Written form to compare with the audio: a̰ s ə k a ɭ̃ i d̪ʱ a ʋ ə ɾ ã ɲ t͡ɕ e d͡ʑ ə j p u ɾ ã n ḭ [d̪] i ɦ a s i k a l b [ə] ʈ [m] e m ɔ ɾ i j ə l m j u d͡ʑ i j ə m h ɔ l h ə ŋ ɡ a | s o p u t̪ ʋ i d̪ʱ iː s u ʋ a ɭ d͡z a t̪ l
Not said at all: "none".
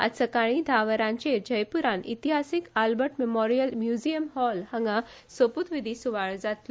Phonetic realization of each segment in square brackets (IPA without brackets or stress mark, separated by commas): t̪, ə, m